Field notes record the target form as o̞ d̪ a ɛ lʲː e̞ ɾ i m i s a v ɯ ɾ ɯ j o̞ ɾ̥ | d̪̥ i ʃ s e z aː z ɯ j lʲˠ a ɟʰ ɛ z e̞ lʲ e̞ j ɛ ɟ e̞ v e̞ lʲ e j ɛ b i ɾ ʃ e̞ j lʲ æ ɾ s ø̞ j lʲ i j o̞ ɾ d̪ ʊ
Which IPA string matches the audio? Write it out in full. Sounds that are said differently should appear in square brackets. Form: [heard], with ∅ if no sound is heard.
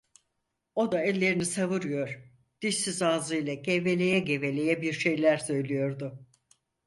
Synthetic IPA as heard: o̞ d̪ a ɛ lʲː e̞ ɾ i [n] i s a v ɯ ɾ ɯ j o̞ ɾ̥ | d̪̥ i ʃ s [i] z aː z ɯ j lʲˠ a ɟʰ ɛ [v] e̞ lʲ e̞ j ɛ ɟ e̞ v e̞ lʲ e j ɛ b i ɾ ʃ e̞ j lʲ æ ɾ s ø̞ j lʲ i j o̞ ɾ d̪ ʊ